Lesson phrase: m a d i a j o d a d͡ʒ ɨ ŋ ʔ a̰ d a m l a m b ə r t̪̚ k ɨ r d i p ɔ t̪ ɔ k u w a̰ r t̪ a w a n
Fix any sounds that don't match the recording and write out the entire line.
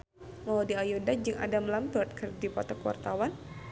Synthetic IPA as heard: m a d i a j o d a d͡ʒ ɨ ŋ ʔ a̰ d a m l a m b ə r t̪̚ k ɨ r d i p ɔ t̪ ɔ k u w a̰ r t̪ a w a n